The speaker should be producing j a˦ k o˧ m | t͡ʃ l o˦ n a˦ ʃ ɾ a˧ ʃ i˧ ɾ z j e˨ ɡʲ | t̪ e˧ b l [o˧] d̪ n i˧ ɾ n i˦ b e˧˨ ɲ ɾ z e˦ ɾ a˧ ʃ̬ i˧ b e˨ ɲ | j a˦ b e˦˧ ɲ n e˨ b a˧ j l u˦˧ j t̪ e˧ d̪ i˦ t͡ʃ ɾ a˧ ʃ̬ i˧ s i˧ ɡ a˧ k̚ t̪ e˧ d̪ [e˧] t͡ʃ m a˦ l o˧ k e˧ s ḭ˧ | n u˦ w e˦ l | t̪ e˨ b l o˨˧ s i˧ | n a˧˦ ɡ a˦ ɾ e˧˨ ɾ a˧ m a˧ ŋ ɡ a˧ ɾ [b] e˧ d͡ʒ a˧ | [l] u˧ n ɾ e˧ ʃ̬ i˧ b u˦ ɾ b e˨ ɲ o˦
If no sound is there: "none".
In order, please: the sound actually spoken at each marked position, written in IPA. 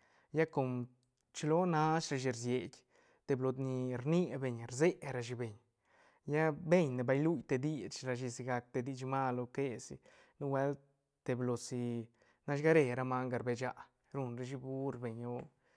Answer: o˧, i˧, b, ɾ

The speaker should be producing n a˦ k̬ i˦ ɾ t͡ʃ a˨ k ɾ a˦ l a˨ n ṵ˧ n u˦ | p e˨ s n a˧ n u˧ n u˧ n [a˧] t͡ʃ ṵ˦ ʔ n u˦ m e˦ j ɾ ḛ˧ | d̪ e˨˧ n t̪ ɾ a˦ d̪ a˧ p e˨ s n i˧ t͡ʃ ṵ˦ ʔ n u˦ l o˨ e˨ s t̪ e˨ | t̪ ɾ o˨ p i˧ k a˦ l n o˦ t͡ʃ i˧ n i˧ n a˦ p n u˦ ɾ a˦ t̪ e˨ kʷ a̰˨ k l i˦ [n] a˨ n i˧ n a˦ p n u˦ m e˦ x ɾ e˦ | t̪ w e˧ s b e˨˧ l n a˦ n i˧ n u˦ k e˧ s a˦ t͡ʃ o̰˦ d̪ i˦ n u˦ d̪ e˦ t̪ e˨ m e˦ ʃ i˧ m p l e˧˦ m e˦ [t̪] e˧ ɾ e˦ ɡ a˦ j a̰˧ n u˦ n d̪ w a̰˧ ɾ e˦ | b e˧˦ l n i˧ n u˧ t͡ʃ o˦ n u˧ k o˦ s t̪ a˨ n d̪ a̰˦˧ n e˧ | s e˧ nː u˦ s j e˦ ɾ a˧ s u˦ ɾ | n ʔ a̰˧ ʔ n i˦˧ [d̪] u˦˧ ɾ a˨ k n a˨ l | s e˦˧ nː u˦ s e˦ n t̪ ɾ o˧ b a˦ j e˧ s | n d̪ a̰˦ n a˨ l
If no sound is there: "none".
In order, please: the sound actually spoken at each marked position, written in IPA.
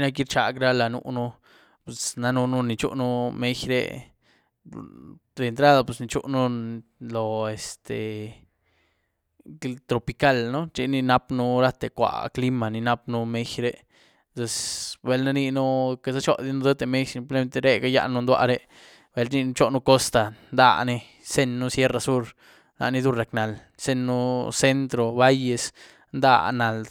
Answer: i˧, m, t̪, d̪

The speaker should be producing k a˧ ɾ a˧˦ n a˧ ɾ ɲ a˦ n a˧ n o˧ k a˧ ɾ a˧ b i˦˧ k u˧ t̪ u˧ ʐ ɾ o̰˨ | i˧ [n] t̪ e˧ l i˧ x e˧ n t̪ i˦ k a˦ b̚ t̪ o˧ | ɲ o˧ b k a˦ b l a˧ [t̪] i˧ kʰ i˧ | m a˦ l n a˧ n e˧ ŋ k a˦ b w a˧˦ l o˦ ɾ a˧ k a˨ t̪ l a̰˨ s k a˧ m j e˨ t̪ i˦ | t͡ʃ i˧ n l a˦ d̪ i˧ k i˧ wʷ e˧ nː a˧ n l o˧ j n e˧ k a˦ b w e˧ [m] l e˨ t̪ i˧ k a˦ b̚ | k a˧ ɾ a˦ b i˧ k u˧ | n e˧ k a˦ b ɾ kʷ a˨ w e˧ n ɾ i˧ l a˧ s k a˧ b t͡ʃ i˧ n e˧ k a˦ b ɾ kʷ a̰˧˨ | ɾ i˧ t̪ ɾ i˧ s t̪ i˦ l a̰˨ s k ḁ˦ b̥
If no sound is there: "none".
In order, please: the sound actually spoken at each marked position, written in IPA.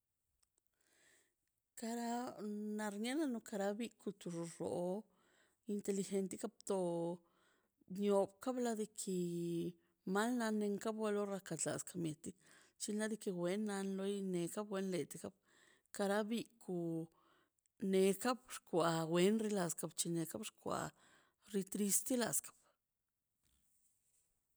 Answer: n, d̪, n

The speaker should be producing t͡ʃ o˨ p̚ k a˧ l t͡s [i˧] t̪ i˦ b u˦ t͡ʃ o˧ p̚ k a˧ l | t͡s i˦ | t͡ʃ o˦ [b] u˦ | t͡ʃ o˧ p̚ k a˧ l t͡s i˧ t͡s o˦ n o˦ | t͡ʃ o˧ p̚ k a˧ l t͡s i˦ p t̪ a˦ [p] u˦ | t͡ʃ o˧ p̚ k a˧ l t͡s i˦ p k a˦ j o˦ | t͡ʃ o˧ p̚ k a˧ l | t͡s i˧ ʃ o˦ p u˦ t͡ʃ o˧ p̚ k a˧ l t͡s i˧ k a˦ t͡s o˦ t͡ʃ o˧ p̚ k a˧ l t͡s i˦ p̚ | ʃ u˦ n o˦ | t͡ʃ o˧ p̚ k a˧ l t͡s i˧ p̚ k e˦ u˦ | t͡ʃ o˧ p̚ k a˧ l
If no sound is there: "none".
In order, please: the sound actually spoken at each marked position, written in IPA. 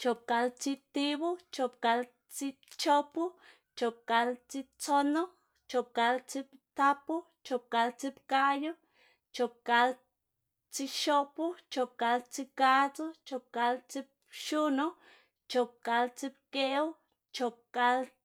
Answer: i˧, p, p

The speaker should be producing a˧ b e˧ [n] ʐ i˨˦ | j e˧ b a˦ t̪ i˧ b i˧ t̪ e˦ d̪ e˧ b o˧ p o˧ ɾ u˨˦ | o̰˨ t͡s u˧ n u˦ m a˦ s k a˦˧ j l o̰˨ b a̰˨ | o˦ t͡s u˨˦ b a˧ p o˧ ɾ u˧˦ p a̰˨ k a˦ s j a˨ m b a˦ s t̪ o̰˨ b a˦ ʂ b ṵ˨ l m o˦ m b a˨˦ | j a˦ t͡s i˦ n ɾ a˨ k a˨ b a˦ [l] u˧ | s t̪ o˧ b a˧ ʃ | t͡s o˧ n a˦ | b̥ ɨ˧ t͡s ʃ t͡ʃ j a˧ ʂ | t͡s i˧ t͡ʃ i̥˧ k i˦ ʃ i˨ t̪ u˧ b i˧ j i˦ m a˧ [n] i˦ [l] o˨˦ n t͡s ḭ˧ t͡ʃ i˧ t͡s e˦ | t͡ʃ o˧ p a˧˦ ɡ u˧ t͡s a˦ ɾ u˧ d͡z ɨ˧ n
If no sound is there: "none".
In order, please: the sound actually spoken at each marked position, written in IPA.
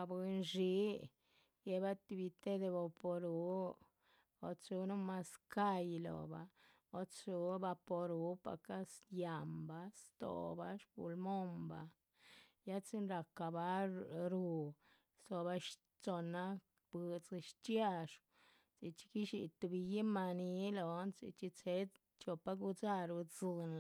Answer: n, ɾ, n, l

